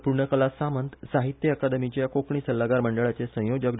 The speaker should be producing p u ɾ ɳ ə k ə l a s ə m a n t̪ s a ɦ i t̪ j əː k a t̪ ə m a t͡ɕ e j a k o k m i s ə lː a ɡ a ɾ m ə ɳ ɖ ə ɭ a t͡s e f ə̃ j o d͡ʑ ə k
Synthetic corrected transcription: p u ɾ ɳ ə k ə l a s a m ə n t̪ s a ɦ i t̪ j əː k a d̪ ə m i t͡ɕ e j a k o k ɳ i s ə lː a ɡ a ɾ m ə ɳ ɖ ə ɭ a t͡s e s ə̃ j o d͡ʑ ə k